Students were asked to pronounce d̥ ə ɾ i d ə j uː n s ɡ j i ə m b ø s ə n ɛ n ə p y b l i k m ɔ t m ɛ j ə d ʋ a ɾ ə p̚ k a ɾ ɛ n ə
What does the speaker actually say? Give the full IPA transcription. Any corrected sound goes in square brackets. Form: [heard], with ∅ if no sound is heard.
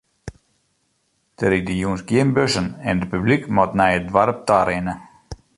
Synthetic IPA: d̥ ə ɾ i d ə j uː n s ɡ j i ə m b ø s ə n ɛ n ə p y b l i k m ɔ t [n] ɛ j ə d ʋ a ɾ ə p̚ [t] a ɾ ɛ n ə